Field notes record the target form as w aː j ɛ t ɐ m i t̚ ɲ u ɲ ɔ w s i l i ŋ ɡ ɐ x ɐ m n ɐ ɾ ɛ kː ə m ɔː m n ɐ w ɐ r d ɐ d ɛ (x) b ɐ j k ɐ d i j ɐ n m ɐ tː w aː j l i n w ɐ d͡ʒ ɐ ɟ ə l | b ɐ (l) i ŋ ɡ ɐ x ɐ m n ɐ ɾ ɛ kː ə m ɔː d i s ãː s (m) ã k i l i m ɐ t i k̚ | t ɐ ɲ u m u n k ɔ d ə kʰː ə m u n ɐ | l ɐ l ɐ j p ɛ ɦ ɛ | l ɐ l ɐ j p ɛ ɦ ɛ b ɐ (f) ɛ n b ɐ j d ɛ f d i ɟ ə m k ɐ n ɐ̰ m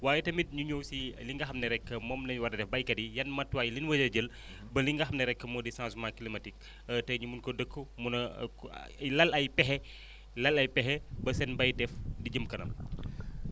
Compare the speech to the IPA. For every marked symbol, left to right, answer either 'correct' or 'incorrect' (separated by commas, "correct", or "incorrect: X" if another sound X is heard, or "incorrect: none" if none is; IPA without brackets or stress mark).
incorrect: f, correct, correct, incorrect: s